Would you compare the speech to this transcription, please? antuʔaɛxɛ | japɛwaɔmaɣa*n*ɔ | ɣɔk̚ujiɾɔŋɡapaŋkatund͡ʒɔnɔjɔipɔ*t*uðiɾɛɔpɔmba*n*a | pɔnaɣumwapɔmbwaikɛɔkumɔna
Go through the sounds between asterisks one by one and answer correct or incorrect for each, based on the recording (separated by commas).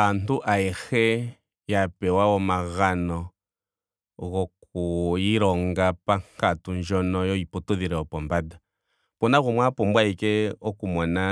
correct, correct, incorrect